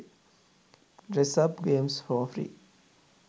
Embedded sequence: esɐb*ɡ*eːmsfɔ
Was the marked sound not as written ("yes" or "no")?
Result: no